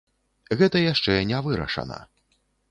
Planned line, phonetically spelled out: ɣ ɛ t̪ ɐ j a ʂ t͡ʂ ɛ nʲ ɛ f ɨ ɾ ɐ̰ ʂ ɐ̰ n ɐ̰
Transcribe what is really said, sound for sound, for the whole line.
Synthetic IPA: ɣ ɛ t̪ ɐ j a ʂ t͡ʂ ɛ nʲ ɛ v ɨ ɾ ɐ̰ ʂ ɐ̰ n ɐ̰